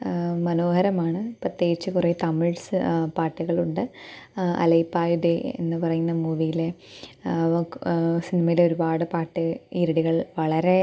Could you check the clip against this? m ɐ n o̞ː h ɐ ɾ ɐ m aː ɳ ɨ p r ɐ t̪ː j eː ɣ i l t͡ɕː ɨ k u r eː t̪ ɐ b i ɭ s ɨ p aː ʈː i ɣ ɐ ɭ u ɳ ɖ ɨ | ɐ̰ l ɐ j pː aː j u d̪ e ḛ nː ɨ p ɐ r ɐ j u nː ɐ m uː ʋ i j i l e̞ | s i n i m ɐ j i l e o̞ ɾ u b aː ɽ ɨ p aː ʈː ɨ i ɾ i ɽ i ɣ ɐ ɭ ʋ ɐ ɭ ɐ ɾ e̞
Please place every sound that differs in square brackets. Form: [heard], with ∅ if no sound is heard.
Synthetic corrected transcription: m ɐ n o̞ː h ɐ ɾ ɐ m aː ɳ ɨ p r ɐ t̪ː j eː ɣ i [∅] t͡ɕː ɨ k u r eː t̪ ɐ [m] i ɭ s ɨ p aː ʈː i ɣ ɐ ɭ u ɳ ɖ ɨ | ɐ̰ l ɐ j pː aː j u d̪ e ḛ nː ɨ p ɐ r ɐ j u nː ɐ m uː ʋ i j i l e̞ | s i n i m ɐ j i l e o̞ ɾ u b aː ɽ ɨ p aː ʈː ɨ i ɾ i ɽ i ɣ ɐ ɭ ʋ ɐ ɭ ɐ ɾ e̞

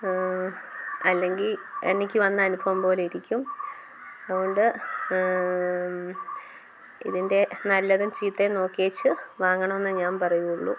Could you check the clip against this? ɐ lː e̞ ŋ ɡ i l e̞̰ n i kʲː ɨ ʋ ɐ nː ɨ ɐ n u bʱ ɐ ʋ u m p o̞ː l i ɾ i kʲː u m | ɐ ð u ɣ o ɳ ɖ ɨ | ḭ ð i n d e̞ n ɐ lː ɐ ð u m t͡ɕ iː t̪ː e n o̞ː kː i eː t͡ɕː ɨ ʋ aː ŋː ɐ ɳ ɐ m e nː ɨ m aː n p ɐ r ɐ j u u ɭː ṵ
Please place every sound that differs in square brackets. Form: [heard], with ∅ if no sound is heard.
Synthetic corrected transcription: ɐ lː e̞ ŋ ɡ i l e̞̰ n i kʲː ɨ ʋ ɐ nː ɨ ɐ n u bʱ ɐ ʋ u m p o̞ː l i ɾ i kʲː u m | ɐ ð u ɣ o ɳ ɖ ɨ | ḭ ð i n d e̞ n ɐ lː ɐ ð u m t͡ɕ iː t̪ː e n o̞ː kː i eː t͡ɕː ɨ ʋ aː ŋː ɐ ɳ ɐ m e nː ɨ [ɲ] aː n p ɐ r ɐ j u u ɭː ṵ

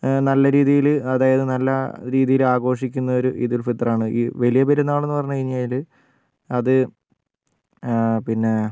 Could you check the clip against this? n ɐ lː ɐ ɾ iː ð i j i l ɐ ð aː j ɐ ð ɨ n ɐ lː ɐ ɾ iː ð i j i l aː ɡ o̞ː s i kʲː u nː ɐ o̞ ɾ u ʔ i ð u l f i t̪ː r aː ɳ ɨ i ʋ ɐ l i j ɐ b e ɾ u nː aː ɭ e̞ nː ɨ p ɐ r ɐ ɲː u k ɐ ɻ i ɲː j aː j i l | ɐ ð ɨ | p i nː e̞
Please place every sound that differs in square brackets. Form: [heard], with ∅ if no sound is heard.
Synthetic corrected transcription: n ɐ lː ɐ ɾ iː ð i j i l ɐ ð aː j ɐ ð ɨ n ɐ lː ɐ ɾ iː ð i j i l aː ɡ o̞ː [ʂ] i kʲː u nː ɐ o̞ ɾ u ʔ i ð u l f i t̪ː r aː ɳ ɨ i ʋ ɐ l i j ɐ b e ɾ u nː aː ɭ e̞ nː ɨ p ɐ r ɐ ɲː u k ɐ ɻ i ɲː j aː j i l | ɐ ð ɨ | p i nː e̞

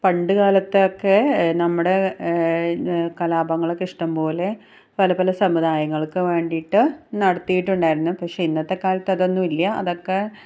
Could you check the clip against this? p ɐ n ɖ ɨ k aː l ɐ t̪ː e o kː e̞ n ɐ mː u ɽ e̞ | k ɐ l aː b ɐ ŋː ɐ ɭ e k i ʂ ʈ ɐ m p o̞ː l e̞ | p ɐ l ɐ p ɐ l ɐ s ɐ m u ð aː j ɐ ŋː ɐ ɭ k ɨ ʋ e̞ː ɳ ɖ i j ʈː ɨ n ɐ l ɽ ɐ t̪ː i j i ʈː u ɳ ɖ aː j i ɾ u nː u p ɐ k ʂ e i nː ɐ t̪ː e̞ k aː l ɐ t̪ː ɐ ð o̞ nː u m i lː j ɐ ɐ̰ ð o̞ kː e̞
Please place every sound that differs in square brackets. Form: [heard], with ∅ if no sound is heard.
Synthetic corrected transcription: p ɐ [ɳ] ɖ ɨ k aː l ɐ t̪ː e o kː e̞ n ɐ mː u ɽ e̞ | k ɐ l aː b ɐ ŋː ɐ ɭ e k i ʂ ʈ ɐ m p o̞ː l e̞ | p ɐ l ɐ p ɐ l ɐ s ɐ m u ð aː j ɐ ŋː ɐ ɭ k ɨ ʋ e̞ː ɳ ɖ i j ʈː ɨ n ɐ [∅] ɽ ɐ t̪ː i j i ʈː u ɳ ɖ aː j i ɾ u nː u p ɐ k ʂ e i nː ɐ t̪ː e̞ k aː l ɐ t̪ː ɐ ð o̞ nː u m i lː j ɐ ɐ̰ ð o̞ kː e̞

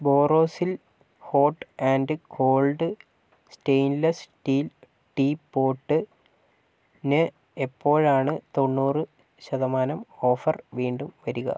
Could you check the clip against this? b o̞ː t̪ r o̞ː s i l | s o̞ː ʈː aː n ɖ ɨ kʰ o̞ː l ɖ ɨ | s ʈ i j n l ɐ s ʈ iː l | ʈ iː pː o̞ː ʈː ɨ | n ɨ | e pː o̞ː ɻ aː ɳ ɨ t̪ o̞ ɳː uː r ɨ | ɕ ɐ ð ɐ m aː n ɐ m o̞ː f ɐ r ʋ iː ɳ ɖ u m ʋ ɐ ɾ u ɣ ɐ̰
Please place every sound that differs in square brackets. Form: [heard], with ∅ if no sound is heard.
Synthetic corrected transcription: b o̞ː [∅] r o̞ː s i l | [h] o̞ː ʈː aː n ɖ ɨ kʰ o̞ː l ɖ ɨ | s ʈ [e] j n l ɐ s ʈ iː l | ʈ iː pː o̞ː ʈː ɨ | n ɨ | e pː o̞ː ɻ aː ɳ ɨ t̪ o̞ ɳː uː r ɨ | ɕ ɐ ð ɐ m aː n ɐ m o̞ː f ɐ r ʋ iː ɳ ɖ u m ʋ ɐ ɾ u ɣ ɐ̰

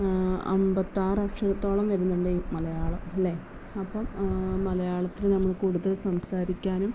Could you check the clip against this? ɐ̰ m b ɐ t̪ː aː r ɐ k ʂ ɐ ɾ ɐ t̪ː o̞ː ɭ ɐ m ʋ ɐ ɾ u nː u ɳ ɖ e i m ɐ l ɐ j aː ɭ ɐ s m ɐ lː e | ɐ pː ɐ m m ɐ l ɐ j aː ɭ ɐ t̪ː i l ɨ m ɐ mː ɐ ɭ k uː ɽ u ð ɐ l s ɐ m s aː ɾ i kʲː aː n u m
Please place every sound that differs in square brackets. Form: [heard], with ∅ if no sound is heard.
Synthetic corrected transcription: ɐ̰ m b ɐ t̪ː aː r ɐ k ʂ ɐ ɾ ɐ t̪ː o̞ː ɭ ɐ m ʋ ɐ ɾ u nː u ɳ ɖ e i m ɐ l ɐ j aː ɭ ɐ [∅] m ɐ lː e | ɐ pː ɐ m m ɐ l ɐ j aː ɭ ɐ t̪ː i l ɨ [n] ɐ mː ɐ ɭ k uː ɽ u ð ɐ l s ɐ m s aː ɾ i kʲː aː n u m

